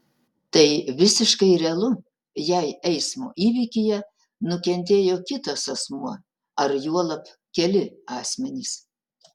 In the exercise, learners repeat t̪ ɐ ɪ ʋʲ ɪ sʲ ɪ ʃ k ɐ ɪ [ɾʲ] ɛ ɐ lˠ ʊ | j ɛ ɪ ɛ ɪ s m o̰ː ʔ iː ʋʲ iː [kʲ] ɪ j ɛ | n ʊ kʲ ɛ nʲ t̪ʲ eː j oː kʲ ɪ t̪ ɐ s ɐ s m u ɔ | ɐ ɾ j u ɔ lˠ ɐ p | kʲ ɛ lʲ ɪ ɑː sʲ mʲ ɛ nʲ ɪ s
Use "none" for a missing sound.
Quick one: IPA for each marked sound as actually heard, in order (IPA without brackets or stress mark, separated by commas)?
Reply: ɾʲ, kʲ